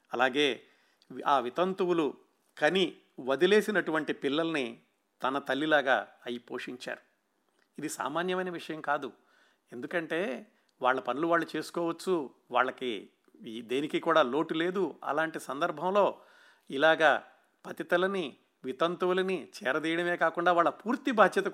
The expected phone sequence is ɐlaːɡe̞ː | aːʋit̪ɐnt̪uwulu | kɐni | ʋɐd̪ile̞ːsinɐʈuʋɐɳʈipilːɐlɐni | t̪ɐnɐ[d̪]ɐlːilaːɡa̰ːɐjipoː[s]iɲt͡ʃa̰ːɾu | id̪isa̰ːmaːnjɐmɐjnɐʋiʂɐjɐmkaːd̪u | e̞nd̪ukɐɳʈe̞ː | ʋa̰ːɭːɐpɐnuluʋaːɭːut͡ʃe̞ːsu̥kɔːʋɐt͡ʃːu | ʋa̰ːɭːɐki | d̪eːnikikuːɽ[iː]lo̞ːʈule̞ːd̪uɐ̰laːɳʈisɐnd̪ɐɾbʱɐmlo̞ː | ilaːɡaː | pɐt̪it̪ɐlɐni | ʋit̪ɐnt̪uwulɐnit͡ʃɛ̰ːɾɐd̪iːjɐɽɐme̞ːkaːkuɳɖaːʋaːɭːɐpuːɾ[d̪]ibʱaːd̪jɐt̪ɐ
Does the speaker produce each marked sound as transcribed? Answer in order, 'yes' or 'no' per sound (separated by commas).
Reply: no, no, no, no